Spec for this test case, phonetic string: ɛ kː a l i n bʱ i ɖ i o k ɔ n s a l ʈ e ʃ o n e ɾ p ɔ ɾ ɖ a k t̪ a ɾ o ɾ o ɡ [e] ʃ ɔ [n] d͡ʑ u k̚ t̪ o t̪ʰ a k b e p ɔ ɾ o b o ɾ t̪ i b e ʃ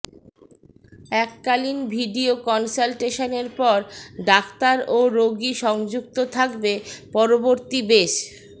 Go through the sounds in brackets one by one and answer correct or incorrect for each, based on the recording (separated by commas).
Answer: incorrect, incorrect